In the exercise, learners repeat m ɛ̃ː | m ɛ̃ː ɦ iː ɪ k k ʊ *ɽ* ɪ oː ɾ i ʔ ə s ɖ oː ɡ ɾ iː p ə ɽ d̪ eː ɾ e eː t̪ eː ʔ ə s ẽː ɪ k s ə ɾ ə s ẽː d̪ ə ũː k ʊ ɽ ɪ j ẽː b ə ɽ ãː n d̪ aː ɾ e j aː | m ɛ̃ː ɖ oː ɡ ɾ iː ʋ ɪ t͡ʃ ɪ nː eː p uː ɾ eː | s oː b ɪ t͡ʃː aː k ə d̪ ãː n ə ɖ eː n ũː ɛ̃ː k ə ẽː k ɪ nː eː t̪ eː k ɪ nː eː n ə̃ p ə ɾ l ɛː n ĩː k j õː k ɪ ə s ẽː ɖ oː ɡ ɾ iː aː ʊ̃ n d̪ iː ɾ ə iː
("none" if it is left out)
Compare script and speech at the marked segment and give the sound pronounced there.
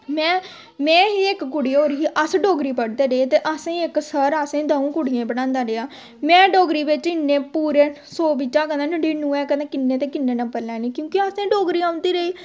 ɽ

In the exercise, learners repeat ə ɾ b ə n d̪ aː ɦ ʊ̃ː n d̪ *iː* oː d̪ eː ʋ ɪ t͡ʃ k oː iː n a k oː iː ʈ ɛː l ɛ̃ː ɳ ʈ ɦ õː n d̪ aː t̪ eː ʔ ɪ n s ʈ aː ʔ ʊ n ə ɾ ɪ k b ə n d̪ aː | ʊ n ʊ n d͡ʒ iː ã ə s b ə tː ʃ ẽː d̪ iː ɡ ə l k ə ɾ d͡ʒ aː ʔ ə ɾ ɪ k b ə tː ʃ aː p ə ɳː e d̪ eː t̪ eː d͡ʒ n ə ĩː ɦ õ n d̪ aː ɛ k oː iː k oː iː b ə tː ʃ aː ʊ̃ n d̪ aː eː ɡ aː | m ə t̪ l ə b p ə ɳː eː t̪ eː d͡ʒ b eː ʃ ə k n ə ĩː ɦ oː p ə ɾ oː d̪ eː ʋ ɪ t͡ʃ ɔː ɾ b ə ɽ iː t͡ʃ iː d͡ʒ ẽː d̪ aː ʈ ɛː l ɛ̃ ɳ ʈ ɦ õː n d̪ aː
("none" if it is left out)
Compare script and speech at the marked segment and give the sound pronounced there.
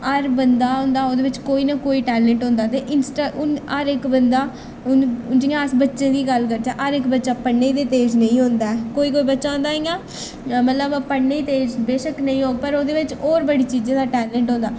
aː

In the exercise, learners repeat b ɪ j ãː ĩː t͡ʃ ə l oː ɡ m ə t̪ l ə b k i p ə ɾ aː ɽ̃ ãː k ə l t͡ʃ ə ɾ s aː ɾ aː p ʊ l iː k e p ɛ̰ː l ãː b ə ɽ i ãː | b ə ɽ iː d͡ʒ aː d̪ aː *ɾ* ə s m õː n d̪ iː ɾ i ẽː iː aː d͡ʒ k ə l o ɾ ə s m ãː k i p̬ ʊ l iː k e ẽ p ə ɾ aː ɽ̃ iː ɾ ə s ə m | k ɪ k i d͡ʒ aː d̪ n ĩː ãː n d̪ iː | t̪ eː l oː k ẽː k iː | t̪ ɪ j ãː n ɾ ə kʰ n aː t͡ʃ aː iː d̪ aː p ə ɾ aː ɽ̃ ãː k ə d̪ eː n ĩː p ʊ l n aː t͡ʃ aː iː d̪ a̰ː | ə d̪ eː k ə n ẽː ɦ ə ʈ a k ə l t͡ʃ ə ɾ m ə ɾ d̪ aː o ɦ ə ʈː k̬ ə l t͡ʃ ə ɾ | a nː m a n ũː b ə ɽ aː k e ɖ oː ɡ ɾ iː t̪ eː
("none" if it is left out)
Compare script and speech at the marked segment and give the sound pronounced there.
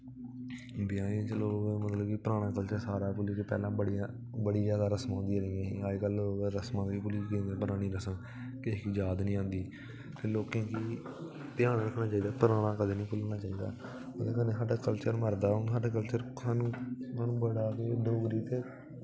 ɾ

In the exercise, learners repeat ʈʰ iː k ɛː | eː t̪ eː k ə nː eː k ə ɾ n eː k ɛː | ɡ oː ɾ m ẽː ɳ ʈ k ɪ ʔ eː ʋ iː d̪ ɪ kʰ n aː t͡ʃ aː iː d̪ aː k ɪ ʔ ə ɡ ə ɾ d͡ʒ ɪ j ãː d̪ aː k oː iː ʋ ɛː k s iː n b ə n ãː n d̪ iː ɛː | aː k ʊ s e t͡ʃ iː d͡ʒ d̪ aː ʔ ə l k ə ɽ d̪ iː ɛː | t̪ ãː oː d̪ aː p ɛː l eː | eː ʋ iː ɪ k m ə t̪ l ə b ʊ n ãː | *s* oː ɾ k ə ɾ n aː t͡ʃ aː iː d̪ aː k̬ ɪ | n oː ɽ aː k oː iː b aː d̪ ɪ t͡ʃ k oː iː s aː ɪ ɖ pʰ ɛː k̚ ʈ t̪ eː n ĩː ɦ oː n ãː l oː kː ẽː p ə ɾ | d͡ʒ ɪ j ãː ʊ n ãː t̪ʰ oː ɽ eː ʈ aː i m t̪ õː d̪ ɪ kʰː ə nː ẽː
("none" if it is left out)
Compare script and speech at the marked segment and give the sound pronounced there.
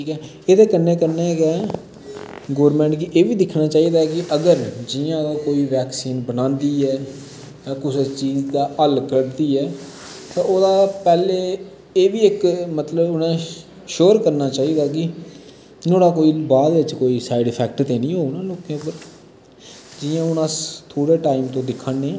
ʃ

